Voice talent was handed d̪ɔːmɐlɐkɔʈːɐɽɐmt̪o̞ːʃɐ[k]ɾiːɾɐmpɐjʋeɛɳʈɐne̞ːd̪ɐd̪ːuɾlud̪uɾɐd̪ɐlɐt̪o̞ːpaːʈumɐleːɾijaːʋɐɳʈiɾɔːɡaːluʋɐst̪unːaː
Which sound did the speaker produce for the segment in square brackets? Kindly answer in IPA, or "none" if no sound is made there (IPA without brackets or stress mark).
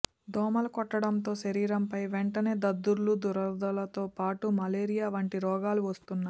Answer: none